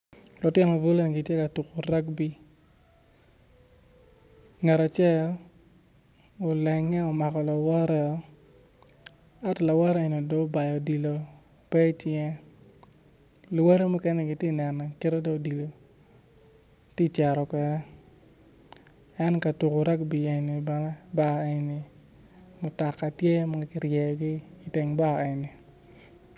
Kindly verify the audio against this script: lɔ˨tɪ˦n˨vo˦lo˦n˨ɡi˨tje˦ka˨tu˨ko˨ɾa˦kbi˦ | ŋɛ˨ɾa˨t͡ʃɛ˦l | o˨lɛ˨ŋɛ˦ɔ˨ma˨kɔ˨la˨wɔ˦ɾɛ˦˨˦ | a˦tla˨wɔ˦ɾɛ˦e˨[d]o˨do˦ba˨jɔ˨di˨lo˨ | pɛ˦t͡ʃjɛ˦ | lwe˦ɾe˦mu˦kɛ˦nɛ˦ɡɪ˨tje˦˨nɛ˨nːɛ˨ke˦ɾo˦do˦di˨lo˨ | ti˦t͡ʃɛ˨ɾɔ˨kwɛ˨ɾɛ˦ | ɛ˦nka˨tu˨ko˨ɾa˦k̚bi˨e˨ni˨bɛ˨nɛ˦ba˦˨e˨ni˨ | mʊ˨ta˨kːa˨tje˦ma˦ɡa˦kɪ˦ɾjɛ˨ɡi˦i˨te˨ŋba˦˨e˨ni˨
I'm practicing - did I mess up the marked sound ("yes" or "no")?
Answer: yes